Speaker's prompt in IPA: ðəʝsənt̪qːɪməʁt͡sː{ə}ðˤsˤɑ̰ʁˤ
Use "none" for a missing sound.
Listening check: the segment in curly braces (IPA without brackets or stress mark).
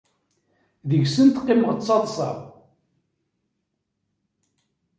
ɑ